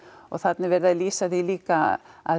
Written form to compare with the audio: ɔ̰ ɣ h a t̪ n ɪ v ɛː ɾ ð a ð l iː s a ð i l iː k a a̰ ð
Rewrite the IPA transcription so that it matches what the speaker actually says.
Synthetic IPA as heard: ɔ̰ ɣ θ a t̪ n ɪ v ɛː ɾ ð a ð l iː s a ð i l iː k a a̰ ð

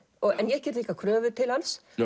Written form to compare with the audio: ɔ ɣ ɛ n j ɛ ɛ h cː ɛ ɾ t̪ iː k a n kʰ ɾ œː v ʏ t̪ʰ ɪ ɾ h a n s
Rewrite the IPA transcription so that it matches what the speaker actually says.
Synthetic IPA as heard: ɔ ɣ ɛ n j ɛ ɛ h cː ɛ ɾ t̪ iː k a kʰ ɾ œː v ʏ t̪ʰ ɪ l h a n s

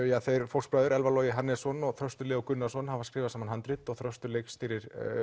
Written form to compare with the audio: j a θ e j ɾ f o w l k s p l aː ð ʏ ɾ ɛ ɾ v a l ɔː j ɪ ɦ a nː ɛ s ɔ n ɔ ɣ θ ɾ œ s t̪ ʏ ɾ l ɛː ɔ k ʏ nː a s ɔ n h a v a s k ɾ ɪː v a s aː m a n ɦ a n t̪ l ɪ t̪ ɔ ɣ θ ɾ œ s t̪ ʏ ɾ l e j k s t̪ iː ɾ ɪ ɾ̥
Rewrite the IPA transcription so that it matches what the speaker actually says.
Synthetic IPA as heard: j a θ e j ɾ f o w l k s p ɾ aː ð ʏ ɾ ɛ l v a l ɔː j ɪ ɦ a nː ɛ s ɔ n ɔ ɣ θ ɾ œ s t̪ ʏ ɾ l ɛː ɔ k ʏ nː a s ɔ n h a v a s k ɾ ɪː v a s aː m a n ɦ a n t̪ ɾ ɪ t̪ ɔ ɣ θ ɾ œ s t̪ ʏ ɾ l e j k s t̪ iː ɾ ɪ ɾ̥

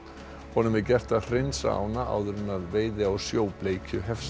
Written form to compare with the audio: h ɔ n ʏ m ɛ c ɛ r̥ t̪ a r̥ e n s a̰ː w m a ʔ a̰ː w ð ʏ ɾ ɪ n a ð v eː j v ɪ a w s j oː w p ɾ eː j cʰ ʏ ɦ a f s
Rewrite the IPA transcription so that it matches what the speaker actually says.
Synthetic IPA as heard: h ɔ n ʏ m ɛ c ɛ r̥ t̪ a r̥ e n s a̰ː w n a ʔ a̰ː w ð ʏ ɾ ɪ n a ð v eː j ð ɪ a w s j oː w p l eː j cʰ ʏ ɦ ɛ f s

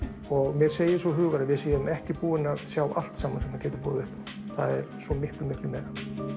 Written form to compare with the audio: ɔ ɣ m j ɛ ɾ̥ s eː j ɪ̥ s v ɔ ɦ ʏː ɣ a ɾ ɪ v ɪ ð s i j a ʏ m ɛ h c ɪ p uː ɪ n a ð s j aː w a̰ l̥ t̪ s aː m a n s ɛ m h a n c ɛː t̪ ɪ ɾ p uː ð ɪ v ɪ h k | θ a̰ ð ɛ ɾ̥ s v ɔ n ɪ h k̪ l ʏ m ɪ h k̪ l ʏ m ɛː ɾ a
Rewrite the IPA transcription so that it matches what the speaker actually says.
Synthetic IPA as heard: ɔ ɣ m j ɛ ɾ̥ s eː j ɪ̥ s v ɔ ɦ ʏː ɣ a ɾ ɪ v ɪ ð s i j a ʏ m ɛ h c ɪ p uː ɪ n a ð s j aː w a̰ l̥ t̪ s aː m a n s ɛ m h a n c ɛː t̪ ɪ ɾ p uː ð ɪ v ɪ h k | θ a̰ ð ɛ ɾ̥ s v ɔ m ɪ h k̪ l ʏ m ɪ h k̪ l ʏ m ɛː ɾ a

